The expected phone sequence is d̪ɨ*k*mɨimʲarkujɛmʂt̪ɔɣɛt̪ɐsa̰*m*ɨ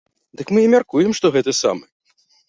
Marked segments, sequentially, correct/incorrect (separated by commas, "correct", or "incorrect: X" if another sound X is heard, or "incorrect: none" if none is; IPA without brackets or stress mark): correct, correct